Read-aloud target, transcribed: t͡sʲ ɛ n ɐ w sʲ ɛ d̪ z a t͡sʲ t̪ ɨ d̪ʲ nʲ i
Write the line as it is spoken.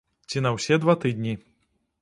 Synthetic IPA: t͡sʲ i n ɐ w sʲ ɛ d̪ v a t̪ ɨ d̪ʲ nʲ i